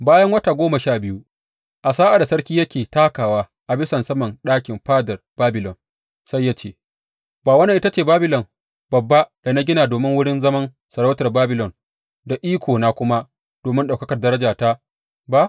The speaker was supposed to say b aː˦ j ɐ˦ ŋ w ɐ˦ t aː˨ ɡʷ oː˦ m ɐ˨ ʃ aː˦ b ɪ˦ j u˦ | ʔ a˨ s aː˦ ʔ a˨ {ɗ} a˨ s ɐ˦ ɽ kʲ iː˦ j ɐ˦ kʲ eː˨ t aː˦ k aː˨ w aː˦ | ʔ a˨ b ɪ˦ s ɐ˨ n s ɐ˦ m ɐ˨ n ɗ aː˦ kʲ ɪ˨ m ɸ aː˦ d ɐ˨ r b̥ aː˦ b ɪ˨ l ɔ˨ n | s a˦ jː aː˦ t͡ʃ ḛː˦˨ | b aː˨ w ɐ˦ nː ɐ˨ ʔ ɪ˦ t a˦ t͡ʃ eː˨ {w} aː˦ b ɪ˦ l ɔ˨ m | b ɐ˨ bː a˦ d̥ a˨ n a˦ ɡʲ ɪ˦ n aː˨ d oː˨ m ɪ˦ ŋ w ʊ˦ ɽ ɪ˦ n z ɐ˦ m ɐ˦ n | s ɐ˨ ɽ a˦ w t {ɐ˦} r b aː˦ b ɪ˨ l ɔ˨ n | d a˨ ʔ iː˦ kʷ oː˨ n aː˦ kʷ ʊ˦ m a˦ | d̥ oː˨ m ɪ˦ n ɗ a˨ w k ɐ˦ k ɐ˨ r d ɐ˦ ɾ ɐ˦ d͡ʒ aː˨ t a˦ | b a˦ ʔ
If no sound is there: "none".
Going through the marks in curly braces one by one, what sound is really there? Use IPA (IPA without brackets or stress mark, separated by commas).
d, b, ɐ˨